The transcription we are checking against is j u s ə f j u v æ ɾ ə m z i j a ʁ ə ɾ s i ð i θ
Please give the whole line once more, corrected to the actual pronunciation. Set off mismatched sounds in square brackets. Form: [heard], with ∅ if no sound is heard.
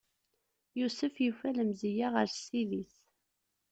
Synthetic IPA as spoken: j u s ə f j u [f] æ [l] ə m z i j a ʁ ə ɾ s i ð i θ